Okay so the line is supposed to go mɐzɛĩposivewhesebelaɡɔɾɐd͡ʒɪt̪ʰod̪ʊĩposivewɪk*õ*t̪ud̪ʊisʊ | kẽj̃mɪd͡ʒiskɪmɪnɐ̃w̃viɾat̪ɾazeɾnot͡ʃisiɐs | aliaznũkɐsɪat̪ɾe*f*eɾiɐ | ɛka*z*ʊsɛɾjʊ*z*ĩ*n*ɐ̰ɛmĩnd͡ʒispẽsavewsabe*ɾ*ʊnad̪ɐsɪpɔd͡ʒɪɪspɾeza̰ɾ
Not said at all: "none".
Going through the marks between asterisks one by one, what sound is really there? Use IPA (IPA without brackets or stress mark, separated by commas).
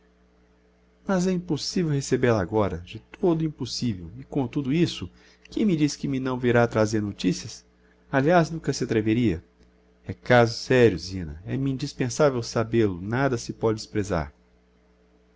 õ, v, z, z, n, l